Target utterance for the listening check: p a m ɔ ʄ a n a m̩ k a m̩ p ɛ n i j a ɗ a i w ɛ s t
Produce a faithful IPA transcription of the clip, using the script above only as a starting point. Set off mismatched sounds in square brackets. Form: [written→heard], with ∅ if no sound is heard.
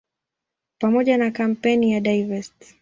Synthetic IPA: p a m ɔ ʄ a n a [m̩→∅] k a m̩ p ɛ n i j a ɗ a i [w→v] ɛ s t